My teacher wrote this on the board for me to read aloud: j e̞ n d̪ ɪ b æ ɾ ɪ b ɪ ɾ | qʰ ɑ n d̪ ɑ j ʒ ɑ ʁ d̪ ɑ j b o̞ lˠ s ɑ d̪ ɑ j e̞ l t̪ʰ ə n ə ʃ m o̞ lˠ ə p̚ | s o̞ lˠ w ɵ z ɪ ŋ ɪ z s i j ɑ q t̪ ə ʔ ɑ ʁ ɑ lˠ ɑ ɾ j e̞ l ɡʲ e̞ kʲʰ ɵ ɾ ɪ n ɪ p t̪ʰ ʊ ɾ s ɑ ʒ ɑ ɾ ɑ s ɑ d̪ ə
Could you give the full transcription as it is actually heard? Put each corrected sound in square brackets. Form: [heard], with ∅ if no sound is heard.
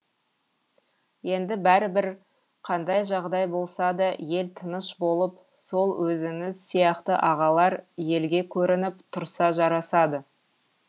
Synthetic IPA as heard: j e̞ n d̪ ɪ b æ ɾ ɪ b ɪ ɾ | qʰ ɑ n d̪ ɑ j ʒ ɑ ʁ d̪ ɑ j b o̞ lˠ s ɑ d̪ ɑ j e̞ l t̪ʰ ə n ə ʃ [b] o̞ lˠ ə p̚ | s o̞ lˠ w ɵ z ɪ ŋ ɪ z s i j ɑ q t̪ ə ʔ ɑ ʁ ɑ lˠ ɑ ɾ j e̞ l ɡʲ e̞ kʲʰ ɵ ɾ ɪ n ɪ p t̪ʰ ʊ ɾ s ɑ ʒ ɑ ɾ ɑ s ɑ d̪ ə